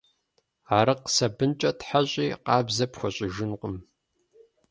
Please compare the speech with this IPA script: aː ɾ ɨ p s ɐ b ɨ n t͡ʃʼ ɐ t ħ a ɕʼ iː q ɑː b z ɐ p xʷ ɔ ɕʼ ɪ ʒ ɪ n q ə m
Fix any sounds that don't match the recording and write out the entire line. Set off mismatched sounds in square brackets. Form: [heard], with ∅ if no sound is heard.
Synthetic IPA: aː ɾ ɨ [q] s ɐ b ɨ n t͡ʃʼ ɐ t ħ a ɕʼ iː q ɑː b z ɐ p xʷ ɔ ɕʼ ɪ ʒ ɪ n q ə m